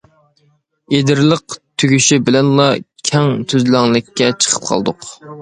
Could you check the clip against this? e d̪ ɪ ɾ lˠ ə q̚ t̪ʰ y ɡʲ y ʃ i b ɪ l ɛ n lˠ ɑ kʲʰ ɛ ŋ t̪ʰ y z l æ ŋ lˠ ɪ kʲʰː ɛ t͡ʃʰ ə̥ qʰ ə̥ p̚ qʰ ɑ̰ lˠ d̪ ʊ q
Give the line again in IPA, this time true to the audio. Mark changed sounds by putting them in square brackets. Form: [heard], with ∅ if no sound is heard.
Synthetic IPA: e d̪ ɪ ɾ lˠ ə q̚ t̪ʰ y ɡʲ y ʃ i b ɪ l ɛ n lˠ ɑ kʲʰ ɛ ŋ t̪ʰ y z l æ ŋ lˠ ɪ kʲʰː ɛ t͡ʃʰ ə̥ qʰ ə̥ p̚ qʰ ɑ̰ lˠ d̪ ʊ q